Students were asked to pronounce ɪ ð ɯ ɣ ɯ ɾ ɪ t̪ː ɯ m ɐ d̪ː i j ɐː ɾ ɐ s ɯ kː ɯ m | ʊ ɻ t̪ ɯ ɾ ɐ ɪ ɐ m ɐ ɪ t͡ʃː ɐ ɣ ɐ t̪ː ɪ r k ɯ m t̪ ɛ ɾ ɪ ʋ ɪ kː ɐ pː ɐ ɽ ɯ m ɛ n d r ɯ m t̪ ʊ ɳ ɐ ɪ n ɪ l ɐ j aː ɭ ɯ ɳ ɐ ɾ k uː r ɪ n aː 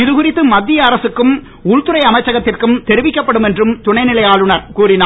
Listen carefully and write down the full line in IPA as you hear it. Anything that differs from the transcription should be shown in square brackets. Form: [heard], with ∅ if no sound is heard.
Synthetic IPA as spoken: ɪ ð ɯ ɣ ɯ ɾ ɪ t̪ː ɯ m ɐ d̪ː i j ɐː ɾ ɐ s ɯ kː ɯ m | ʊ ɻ t̪ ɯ ɾ ɐ ɪ ɐ m ɐ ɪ t͡ʃː ɐ ɣ ɐ t̪ː ɪ r k ɯ m t̪ ɛ ɾ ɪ ʋ ɪ kː ɐ pː ɐ ɽ ɯ m ɛ n d r ɯ m t̪ ʊ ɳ ɐ ɪ n ɪ l ɐ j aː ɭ ɯ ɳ ɐ ɾ k uː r ɪ n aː